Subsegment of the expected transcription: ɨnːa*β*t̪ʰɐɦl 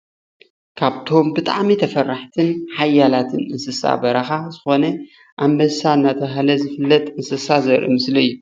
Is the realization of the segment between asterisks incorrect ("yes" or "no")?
yes